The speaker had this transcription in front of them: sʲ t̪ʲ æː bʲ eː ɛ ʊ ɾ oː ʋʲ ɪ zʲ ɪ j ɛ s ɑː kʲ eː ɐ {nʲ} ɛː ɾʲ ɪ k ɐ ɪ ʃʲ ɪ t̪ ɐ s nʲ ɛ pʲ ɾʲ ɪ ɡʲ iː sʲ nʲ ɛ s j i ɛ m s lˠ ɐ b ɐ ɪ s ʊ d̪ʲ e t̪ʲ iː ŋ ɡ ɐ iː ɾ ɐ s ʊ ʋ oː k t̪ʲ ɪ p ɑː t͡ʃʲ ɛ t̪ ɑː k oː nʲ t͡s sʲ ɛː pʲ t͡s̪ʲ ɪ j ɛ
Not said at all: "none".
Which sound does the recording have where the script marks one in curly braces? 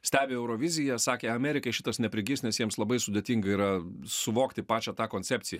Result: mʲ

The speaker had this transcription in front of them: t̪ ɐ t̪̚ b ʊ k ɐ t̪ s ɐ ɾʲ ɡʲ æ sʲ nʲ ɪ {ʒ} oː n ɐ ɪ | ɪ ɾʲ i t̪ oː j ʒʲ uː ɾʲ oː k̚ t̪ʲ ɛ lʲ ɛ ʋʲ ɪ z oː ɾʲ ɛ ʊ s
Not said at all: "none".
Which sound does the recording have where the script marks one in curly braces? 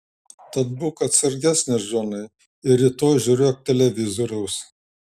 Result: ʒ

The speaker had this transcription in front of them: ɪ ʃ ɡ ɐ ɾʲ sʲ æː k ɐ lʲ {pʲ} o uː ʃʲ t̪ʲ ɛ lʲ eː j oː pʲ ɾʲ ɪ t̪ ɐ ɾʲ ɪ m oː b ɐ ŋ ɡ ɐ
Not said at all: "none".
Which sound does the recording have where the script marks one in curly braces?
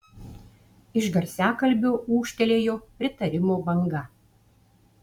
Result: bʲ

